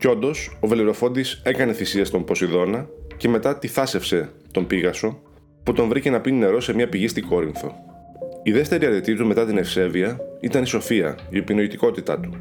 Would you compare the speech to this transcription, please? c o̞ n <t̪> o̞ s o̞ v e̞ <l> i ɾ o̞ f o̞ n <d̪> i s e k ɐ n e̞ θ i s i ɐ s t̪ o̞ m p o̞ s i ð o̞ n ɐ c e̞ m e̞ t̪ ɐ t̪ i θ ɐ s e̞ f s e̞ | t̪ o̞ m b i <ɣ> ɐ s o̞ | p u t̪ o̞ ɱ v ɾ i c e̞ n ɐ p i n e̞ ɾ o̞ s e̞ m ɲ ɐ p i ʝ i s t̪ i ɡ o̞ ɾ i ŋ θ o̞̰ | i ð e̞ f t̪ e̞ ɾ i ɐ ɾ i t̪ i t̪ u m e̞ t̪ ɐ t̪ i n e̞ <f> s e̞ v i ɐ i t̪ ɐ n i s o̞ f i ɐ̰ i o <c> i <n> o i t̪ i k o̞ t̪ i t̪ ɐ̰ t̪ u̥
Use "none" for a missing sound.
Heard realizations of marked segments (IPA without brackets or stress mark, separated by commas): d̪, l, d̪, ɣ, f, p, n